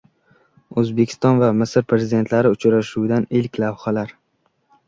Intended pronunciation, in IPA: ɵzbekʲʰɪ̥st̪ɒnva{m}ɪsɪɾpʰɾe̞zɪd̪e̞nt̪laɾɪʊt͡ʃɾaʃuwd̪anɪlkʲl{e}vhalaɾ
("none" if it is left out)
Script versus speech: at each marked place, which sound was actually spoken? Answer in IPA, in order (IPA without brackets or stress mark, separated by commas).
m, a